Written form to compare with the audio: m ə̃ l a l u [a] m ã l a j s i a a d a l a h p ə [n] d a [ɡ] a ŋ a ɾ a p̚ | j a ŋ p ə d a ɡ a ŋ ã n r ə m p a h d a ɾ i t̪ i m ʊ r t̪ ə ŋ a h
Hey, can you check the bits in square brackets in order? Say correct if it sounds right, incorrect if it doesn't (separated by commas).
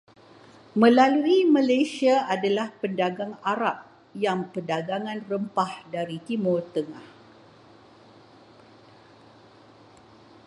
incorrect, correct, correct